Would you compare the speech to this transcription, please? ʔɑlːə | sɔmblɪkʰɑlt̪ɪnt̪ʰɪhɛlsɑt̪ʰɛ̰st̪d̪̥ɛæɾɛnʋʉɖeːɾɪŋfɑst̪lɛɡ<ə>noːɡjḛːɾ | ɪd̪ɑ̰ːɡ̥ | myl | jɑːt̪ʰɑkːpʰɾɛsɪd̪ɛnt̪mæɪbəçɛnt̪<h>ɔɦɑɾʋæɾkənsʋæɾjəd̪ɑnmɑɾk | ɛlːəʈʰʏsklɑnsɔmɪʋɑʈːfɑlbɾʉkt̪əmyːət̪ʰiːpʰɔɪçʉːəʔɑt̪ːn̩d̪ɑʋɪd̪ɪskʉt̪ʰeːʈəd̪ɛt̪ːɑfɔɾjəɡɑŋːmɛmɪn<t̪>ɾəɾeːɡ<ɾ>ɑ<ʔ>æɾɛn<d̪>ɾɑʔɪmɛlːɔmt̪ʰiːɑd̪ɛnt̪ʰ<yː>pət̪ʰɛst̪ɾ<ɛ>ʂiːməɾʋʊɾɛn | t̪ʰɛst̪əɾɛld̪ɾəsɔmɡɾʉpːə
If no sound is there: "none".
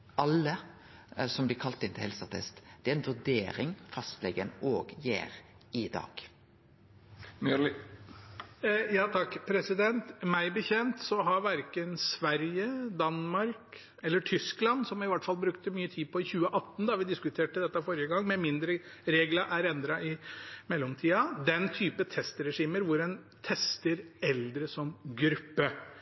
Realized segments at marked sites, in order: ə, s, d̪, l, ʔ, d̪, yː, ɛ

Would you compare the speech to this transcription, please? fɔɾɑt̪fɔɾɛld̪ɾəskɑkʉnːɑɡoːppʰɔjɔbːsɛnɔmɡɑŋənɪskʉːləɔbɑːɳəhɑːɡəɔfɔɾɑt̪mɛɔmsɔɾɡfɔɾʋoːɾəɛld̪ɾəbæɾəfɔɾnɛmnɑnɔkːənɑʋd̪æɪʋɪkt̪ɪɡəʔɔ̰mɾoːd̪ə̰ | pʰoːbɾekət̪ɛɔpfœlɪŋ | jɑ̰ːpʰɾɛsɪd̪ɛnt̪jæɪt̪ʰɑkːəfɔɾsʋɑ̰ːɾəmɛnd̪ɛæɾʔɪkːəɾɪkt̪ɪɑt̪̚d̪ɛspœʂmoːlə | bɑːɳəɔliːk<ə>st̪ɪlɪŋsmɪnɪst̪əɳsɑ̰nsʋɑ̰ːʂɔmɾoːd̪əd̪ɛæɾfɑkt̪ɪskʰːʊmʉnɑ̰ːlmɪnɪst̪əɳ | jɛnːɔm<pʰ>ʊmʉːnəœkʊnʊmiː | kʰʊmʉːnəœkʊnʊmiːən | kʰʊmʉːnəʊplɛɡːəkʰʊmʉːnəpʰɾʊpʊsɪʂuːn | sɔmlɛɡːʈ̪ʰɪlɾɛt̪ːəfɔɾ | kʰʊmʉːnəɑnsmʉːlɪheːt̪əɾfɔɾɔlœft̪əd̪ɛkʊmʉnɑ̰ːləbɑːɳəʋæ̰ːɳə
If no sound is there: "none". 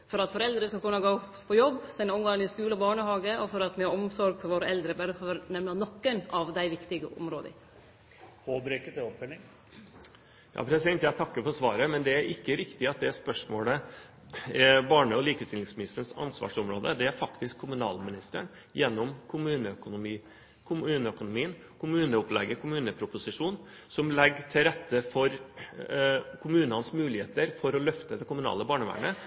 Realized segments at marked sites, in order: ə, kʰ

